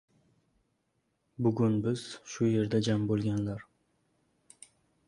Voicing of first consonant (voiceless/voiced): voiced